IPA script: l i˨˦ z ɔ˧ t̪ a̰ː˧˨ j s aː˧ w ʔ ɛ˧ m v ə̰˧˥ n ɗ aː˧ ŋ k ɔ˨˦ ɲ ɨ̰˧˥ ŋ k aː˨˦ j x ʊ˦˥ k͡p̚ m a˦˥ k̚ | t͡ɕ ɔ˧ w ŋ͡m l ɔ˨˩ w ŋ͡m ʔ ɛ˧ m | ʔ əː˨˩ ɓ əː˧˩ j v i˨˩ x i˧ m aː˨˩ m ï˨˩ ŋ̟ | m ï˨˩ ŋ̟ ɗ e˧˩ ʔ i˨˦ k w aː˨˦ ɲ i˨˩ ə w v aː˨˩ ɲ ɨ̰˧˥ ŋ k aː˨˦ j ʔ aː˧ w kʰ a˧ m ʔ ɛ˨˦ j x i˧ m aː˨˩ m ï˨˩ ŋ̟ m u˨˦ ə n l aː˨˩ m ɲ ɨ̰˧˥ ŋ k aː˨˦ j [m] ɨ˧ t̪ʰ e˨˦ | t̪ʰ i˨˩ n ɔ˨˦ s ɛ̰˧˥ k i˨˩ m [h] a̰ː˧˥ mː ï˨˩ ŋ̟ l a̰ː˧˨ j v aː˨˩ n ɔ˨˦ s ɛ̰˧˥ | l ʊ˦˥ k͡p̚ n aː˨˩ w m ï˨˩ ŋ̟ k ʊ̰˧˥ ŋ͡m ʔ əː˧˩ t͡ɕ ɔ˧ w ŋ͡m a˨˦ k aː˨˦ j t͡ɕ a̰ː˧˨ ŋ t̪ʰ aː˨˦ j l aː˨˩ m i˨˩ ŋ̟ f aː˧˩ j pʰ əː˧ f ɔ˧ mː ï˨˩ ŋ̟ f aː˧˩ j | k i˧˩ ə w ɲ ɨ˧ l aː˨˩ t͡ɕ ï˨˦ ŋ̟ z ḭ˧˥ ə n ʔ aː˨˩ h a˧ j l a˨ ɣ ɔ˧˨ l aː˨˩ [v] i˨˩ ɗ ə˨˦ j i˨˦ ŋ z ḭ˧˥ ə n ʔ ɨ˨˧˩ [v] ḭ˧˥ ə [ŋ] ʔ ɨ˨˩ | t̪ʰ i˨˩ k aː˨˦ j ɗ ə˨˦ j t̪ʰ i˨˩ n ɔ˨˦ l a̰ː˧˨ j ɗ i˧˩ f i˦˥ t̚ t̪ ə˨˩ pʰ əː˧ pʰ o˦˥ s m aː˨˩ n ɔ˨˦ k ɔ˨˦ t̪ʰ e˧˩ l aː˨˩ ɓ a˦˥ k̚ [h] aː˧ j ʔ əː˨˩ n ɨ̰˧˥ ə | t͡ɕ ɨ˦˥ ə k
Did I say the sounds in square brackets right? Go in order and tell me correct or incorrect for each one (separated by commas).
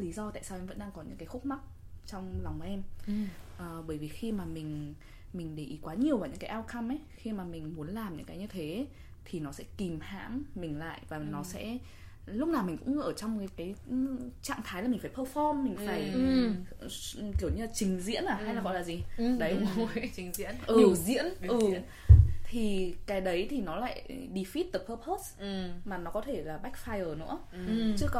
incorrect, correct, incorrect, incorrect, incorrect, incorrect